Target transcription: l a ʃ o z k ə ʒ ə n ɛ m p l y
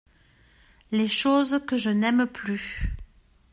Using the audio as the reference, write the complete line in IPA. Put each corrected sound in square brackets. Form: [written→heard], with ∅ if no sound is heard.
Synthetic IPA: l [a→e] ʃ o z k ə ʒ ə n ɛ m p l y